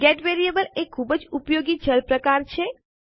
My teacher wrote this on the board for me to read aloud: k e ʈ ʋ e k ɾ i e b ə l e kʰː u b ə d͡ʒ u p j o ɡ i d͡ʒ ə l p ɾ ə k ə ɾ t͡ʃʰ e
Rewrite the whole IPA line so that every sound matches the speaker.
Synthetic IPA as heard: ɡ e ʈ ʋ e ɾ i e b ə l e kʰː u b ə d͡ʒ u p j o ɡ i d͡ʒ ə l p ɾ ə k a ɾ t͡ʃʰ e